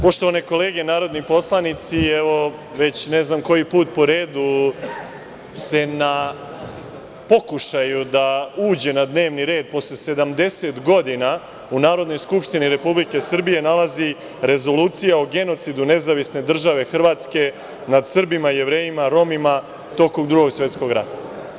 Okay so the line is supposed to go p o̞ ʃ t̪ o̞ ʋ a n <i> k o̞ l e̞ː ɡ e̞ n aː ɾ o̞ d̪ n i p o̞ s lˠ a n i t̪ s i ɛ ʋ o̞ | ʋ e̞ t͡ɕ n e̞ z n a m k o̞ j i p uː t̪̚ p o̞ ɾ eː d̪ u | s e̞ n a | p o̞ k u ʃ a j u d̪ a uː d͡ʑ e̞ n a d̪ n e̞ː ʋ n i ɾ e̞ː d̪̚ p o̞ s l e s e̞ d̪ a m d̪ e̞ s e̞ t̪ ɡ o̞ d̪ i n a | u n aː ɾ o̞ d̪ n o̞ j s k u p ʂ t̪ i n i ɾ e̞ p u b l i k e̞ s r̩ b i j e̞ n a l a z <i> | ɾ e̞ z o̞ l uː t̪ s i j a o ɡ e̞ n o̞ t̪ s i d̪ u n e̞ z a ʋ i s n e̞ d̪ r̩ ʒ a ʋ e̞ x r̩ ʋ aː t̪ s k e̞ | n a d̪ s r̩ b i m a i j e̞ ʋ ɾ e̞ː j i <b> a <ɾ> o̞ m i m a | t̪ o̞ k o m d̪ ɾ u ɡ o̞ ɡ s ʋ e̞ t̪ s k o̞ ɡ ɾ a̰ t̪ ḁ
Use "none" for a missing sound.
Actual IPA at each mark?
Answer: e, i, m, ɾ

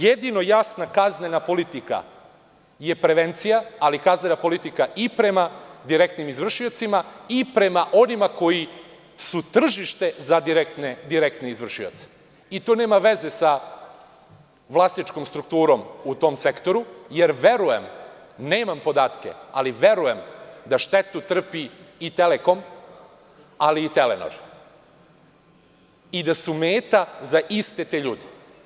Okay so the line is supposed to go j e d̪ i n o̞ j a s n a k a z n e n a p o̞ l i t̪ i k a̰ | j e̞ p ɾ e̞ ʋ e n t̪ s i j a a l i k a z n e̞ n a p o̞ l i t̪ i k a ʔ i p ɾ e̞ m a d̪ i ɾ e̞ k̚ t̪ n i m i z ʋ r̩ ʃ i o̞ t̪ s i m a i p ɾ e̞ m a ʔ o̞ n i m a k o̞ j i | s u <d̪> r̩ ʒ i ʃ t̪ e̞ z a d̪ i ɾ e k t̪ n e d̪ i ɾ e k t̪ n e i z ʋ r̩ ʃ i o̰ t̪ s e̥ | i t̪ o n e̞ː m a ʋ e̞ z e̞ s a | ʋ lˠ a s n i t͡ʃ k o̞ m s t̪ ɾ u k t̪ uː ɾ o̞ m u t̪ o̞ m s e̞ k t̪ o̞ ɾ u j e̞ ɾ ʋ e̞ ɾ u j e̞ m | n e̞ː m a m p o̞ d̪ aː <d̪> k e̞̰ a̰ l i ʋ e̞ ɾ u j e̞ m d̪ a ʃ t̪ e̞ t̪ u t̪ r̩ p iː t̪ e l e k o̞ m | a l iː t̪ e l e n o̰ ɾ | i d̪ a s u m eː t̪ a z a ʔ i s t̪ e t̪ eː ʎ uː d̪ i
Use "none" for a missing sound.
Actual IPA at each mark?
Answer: t̪, t̪

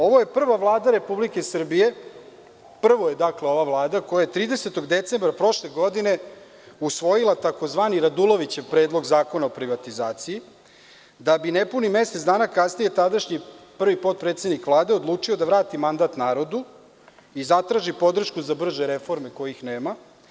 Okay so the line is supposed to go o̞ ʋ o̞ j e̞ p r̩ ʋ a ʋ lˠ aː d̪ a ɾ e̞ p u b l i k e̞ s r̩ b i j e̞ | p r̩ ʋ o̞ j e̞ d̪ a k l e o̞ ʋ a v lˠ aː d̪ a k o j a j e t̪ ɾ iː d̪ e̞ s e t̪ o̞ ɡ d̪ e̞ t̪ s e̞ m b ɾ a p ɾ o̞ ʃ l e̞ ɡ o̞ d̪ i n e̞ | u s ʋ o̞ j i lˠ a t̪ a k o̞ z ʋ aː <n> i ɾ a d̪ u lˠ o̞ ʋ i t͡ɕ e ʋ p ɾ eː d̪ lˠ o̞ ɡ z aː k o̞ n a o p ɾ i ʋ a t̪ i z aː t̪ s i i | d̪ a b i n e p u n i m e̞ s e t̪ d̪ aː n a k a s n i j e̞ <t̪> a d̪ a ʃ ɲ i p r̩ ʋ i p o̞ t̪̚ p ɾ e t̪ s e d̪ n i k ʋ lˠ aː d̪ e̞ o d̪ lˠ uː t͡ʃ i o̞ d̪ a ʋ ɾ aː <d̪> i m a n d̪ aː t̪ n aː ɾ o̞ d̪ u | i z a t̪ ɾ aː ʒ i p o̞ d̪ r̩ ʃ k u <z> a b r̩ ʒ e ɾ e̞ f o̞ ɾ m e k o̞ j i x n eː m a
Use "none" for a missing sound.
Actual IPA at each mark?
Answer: n, t̪, t̪, z

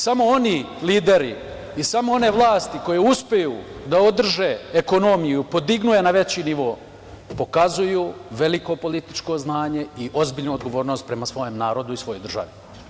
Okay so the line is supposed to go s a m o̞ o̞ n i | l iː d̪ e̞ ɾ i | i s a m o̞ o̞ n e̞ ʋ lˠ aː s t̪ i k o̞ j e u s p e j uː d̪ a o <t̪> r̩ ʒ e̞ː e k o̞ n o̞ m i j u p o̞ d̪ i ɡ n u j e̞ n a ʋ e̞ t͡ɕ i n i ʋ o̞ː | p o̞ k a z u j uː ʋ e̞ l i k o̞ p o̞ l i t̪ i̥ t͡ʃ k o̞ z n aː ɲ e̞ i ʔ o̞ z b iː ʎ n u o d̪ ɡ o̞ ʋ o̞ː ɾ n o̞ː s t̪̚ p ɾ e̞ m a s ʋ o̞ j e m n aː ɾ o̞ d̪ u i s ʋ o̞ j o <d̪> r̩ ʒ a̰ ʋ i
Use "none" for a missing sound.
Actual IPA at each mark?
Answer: d̪, d̪

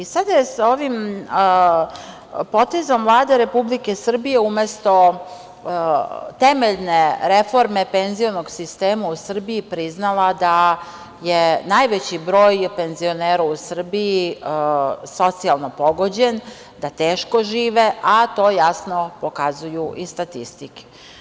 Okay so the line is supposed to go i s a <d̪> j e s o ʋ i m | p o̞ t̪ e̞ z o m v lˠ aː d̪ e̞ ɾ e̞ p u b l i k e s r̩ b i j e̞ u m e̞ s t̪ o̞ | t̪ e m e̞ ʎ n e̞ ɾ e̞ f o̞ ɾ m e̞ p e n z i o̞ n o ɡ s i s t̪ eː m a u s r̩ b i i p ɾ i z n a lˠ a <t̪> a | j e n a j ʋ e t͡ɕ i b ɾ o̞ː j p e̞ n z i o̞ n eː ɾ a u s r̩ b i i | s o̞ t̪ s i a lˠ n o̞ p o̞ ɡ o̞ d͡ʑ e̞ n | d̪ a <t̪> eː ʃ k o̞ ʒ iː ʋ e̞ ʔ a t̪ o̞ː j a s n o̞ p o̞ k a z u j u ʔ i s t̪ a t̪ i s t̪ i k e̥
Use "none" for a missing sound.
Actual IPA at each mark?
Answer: d̪, d̪, t̪

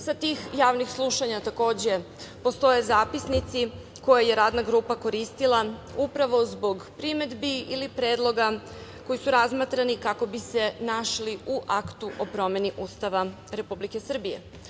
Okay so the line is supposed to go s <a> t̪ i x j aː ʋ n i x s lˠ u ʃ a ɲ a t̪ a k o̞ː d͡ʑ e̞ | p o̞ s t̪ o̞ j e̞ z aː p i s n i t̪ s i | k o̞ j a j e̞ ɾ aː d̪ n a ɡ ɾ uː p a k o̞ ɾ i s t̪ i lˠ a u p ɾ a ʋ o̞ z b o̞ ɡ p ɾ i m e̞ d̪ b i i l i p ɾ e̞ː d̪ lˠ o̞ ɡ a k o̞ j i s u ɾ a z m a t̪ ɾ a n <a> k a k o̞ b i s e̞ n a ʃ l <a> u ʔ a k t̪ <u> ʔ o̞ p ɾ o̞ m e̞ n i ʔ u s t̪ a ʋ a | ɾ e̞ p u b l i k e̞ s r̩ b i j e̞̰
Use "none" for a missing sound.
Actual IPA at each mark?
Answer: a, i, i, u

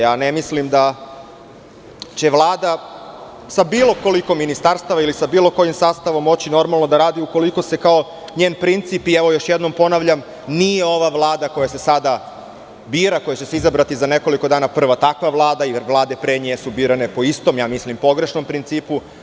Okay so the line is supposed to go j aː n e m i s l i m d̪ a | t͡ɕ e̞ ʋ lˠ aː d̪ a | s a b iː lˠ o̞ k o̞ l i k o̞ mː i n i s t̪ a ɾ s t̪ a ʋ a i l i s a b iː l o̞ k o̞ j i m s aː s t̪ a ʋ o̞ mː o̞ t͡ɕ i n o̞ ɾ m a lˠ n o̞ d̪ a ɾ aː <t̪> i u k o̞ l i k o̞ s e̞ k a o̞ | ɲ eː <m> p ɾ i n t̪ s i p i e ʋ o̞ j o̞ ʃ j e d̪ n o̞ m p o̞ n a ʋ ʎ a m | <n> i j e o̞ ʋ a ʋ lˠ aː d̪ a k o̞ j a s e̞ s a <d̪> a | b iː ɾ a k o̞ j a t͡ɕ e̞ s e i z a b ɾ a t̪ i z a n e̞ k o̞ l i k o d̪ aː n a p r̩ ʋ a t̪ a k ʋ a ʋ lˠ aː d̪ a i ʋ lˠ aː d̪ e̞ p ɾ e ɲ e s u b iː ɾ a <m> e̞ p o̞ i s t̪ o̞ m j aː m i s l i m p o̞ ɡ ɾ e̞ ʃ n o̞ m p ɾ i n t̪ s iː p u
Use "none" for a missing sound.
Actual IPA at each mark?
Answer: d̪, n, n, d̪, n

